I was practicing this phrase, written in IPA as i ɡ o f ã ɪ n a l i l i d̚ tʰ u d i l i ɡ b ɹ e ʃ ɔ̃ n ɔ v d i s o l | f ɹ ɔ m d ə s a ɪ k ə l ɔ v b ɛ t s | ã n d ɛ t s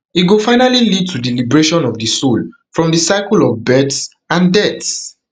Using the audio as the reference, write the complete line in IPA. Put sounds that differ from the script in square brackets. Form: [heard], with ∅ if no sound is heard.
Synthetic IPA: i ɡ o f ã ɪ n a l i l i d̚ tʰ u d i l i [∅] b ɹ e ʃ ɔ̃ n ɔ v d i s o l | f ɹ [ɔ̃] m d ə s a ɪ k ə l ɔ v b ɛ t s | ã n d ɛ t s